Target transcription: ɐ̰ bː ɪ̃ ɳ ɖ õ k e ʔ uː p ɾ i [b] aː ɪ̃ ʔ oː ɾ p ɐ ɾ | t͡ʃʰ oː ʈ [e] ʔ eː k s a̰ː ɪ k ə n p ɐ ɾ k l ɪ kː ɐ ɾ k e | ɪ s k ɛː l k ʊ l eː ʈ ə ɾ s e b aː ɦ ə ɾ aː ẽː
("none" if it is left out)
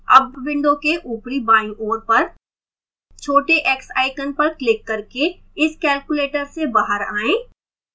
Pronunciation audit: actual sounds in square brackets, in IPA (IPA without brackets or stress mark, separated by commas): b, e